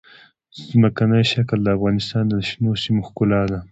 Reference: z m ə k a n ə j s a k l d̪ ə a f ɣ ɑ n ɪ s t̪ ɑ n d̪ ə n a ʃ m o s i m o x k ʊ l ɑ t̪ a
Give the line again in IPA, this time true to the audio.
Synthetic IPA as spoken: z m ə k a n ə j ʃ a k l d̪ ə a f ɣ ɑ n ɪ s t̪ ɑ n d̪ ə n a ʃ n o s i m o x k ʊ l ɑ d̪ a